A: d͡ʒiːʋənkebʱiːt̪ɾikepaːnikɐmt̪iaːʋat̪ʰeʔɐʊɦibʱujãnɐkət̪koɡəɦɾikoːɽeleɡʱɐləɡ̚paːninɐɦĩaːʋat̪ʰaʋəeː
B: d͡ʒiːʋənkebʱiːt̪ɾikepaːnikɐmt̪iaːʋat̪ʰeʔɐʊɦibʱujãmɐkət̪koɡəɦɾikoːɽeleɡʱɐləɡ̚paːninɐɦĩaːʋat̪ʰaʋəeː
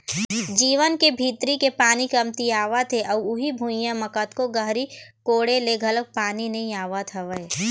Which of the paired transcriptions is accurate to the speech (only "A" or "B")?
B